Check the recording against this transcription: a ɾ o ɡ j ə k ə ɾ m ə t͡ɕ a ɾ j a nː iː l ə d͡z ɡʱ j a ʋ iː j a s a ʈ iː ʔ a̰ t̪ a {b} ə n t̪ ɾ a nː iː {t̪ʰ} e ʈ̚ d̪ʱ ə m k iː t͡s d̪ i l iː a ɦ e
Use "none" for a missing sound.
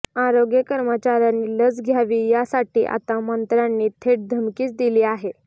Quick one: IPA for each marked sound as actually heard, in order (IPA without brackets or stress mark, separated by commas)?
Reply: m, t̪ʰ